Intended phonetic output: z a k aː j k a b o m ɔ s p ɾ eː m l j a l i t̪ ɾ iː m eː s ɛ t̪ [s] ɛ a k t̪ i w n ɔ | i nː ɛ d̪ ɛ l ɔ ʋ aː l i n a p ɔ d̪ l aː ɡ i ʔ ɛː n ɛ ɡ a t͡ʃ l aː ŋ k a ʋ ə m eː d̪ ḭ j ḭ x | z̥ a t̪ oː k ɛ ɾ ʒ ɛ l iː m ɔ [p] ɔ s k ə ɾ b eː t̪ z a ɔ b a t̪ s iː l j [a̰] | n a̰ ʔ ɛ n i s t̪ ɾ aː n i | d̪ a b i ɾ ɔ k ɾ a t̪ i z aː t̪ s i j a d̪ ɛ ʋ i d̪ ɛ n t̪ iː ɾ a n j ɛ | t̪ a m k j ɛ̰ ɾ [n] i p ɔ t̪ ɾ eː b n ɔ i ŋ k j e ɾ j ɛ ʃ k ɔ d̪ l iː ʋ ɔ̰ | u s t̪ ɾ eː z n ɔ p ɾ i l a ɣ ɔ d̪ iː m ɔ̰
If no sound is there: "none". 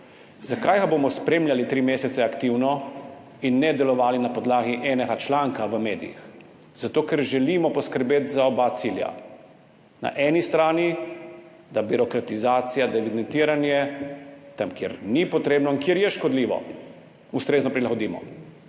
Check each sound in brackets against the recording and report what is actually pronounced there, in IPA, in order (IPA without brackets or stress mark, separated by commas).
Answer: s, p, a̰, n